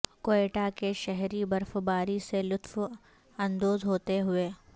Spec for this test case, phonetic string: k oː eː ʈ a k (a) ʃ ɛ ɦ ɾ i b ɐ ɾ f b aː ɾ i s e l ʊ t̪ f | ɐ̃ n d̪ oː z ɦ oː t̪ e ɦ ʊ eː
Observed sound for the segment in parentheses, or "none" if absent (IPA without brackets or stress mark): e